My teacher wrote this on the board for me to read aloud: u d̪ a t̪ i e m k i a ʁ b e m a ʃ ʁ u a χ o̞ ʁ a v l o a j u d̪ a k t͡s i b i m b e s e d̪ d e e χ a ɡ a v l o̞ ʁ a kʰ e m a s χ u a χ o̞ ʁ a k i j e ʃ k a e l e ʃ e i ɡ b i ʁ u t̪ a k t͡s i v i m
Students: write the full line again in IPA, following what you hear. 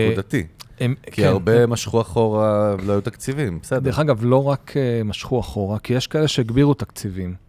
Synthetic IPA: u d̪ a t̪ i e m k i a ʁ b e m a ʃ χ u a χ o̞ ʁ a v l o a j u t̪ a k t͡s i v i m b e s e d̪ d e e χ a ɡ a v l o̞ ʁ a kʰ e m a ʃ χ u a χ o̞ ʁ a k i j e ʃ k a e l e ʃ e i ɡ b i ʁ u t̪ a k t͡s i v i m